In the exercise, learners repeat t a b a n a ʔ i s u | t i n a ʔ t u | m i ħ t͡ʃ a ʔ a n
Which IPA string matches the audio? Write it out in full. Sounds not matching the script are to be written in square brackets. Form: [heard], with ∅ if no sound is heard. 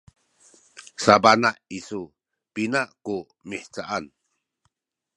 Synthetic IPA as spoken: [s] a b a n a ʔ i s u | [p] i n a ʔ [k] u | m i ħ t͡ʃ a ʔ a n